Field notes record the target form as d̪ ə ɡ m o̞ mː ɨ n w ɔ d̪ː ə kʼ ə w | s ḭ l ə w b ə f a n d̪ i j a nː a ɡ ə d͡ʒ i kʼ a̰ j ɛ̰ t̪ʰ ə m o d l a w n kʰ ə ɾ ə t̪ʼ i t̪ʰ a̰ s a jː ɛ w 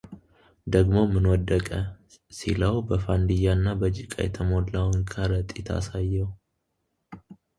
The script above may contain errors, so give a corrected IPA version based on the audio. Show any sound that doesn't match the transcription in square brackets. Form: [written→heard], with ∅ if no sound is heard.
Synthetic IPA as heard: d̪ ə ɡ m o̞ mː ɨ n w ɔ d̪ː ə kʼ ə [w→∅] | s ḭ l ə w b ə f a n d̪ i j a nː a [ɡ→b] ə d͡ʒ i kʼ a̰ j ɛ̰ t̪ʰ ə m o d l a w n kʰ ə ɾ ə t̪ʼ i t̪ʰ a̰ s a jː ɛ w